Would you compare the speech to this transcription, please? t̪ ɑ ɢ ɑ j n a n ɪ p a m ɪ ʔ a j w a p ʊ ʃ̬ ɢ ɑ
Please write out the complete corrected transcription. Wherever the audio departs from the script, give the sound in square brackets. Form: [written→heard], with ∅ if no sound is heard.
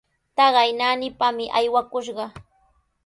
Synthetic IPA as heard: t̪ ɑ ɢ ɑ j n a n ɪ p a m ɪ ʔ a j w a [p→k] ʊ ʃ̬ ɢ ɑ

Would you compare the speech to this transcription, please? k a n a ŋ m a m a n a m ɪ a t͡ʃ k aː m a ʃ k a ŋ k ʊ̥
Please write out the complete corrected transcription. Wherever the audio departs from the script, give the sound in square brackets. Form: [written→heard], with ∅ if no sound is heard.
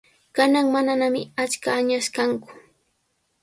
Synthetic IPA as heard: k a n a ŋ m a [m→n] a n a m ɪ a t͡ʃ k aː [m→ɲ] a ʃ k a ŋ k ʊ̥

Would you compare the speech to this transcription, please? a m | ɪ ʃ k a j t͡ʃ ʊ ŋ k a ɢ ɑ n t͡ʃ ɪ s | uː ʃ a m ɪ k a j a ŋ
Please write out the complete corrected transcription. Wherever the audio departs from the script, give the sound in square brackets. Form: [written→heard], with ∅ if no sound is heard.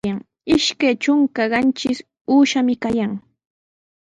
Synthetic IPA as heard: a [m→ŋ] | ɪ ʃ k a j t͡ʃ ʊ ŋ k a ɢ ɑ n t͡ʃ ɪ s | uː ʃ a m ɪ k a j a ŋ

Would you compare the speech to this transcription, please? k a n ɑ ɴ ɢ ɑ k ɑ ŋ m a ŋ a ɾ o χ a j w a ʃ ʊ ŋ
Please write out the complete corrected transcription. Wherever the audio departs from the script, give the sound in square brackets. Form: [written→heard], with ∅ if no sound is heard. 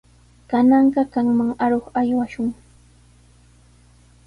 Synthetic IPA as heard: k a n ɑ ɴ ɢ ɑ k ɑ ŋ m a ŋ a ɾ o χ a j w a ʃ ʊ ŋ

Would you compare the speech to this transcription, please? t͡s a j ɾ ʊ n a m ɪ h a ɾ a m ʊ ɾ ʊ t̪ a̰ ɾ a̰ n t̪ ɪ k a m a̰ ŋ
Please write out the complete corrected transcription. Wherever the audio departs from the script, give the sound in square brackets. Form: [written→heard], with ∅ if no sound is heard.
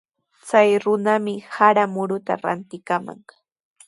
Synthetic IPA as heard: t͡s a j ɾ ʊ n a m ɪ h a ɾ a m ʊ ɾ ʊ t̪ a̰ ɾ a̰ n t̪ ɪ k a m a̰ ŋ

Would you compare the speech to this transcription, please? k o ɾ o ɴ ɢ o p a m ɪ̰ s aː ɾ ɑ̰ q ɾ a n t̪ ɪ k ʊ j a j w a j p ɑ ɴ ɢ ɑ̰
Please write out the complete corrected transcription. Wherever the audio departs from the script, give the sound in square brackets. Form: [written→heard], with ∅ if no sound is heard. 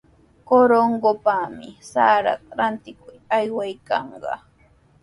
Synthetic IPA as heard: k o ɾ o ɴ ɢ o p a m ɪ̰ s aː ɾ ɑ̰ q ɾ a n t̪ ɪ k ʊ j a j w a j [p→k] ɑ ɴ ɢ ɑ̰

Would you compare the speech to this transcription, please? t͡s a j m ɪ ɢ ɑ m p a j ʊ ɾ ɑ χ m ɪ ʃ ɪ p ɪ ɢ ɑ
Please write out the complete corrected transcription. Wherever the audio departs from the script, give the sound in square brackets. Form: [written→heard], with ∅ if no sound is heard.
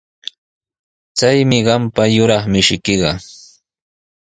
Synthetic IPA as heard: t͡s a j m ɪ ɢ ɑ m p a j ʊ ɾ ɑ χ m ɪ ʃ ɪ [p→k] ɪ ɢ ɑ

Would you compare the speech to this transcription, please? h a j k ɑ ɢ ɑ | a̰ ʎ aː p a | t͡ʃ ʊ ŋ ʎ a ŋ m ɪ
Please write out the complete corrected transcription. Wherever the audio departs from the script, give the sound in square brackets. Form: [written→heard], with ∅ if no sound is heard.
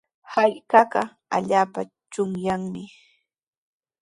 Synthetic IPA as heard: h a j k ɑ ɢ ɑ | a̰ ʎ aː p a | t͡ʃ ʊ ŋ [ʎ→j] a ŋ m ɪ

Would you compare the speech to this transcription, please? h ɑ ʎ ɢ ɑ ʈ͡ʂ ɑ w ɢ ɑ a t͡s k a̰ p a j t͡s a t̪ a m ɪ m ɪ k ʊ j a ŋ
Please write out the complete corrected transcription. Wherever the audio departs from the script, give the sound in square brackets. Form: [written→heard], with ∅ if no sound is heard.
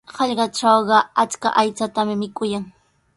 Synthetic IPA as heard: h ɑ ʎ ɢ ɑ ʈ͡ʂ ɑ w ɢ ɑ a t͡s k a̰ [p→ʔ] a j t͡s a t̪ a m ɪ m ɪ k ʊ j a ŋ

